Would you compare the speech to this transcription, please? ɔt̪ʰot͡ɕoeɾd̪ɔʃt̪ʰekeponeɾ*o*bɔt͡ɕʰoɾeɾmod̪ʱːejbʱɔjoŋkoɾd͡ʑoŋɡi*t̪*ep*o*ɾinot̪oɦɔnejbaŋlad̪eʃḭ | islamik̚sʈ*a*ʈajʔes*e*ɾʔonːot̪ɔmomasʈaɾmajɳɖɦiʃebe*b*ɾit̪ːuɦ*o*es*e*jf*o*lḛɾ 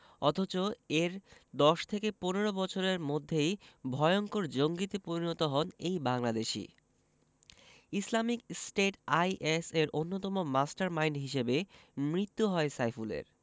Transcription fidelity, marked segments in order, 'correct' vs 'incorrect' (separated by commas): correct, correct, correct, incorrect, correct, incorrect, incorrect, incorrect, incorrect